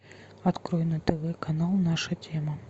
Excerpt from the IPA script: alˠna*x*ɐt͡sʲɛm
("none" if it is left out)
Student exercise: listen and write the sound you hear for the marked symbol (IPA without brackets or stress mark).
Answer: ʂ